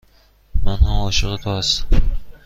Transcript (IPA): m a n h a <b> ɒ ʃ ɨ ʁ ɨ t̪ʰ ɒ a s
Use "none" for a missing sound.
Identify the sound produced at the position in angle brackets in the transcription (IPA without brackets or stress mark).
m